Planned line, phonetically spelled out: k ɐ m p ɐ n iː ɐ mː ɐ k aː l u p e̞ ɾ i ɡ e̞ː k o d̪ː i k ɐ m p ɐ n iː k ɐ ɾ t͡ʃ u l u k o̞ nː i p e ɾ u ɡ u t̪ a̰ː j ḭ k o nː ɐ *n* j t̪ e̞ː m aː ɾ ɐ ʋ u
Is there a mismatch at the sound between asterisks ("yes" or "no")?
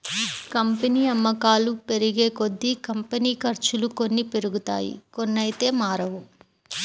yes